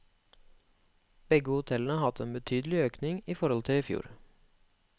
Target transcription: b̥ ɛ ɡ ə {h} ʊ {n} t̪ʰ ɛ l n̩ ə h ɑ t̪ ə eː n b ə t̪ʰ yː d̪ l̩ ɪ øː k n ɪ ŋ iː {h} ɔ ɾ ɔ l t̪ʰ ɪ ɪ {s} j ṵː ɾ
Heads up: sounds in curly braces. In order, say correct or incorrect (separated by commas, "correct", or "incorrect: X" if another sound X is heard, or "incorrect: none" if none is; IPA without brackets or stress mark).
correct, incorrect: none, incorrect: f, incorrect: f